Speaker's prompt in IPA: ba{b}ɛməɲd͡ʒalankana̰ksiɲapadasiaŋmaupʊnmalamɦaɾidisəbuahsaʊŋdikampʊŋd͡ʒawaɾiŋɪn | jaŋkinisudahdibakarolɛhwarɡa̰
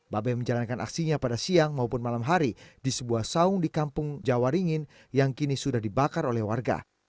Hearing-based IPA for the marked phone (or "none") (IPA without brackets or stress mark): b